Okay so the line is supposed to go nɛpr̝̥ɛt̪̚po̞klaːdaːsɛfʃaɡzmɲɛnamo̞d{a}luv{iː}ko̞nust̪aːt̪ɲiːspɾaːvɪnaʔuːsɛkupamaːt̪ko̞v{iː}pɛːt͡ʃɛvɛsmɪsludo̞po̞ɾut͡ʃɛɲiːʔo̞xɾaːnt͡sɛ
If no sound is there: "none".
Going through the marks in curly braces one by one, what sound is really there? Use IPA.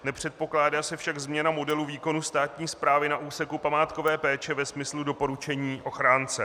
ɛ, iː, ɛː

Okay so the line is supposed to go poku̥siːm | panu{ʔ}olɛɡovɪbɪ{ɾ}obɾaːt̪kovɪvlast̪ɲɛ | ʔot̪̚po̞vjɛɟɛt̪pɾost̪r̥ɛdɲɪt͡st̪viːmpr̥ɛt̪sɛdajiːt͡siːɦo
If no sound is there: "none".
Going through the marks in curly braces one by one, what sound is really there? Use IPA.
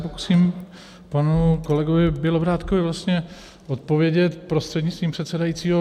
k, l

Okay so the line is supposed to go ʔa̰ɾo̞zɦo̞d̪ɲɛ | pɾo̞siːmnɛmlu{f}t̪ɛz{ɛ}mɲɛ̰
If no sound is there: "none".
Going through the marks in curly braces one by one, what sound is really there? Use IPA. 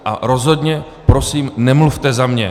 f, a

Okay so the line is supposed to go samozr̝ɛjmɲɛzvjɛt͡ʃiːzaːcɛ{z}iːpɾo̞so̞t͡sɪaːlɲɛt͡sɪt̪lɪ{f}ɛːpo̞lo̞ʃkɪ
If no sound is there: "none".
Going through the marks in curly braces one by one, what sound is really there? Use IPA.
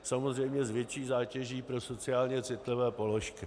ʒ, v

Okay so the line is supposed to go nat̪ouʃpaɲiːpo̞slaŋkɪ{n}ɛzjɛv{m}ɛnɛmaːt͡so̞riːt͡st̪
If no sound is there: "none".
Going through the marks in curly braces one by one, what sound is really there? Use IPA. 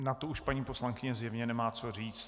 ɲ, ɲ

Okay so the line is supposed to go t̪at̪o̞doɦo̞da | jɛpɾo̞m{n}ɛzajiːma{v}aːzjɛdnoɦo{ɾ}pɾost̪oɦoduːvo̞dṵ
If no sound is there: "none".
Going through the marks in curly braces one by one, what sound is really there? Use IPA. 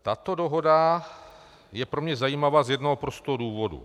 ɲ, v, none

